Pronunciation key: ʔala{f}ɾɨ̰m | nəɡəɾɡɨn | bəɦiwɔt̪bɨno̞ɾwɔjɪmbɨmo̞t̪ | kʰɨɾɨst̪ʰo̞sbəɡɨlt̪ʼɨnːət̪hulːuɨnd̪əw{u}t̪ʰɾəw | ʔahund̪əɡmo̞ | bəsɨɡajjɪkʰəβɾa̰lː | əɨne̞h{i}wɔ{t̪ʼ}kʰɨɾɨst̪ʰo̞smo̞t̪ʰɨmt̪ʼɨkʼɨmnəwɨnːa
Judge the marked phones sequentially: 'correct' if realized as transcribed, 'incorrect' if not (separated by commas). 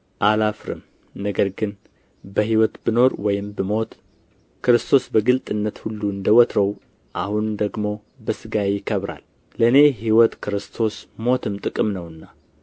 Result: correct, incorrect, correct, incorrect